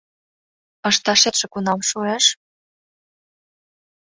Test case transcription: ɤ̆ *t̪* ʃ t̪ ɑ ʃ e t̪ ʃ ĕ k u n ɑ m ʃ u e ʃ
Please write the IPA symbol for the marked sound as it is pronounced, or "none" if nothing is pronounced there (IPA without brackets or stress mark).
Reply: none